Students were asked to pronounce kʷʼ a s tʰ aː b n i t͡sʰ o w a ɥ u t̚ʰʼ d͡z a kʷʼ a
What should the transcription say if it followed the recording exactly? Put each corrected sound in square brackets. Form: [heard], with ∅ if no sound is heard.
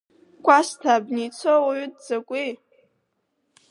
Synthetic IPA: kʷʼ a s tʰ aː b n i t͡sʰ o w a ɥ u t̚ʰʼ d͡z a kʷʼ [i]